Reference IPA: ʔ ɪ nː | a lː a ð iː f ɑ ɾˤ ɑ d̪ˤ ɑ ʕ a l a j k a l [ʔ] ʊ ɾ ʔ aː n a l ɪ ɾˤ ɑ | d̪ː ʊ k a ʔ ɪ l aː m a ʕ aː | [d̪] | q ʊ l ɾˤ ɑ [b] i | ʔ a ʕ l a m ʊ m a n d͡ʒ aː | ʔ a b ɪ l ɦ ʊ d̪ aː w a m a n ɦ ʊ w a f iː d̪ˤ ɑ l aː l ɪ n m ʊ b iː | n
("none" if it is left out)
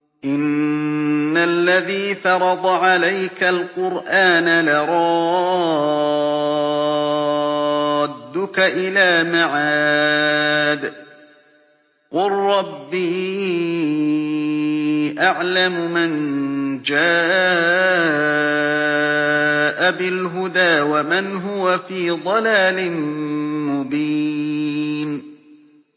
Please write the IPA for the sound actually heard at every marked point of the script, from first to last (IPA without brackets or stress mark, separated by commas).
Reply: q, d̪, bː